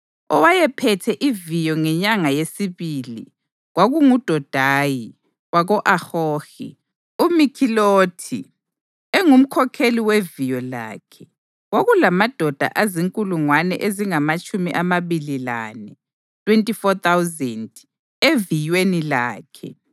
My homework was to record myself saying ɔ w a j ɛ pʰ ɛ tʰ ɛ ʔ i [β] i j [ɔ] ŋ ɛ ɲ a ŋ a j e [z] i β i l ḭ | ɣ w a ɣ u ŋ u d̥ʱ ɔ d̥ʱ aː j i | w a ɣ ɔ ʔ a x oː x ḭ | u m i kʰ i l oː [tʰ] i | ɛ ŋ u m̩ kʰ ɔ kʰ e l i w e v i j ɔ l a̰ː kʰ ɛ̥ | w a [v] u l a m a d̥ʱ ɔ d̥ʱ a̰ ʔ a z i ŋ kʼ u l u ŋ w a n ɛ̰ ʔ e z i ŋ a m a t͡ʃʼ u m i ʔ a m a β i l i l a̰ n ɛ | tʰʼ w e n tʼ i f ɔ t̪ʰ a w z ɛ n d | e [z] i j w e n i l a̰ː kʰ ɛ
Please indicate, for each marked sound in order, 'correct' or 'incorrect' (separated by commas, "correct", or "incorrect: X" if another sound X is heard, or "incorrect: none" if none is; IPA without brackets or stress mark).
incorrect: v, correct, incorrect: s, correct, incorrect: ɣ, incorrect: v